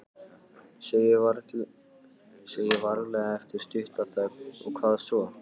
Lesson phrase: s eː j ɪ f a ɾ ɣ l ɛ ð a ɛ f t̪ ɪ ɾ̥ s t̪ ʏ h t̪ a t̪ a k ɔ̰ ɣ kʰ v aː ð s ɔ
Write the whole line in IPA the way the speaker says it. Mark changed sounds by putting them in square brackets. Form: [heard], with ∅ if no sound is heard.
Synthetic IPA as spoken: s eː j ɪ [v] a ɾ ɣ l ɛ [ɣ] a ɛ f t̪ ɪ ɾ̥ s t̪ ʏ h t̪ a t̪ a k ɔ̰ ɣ kʰ v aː ð s ɔ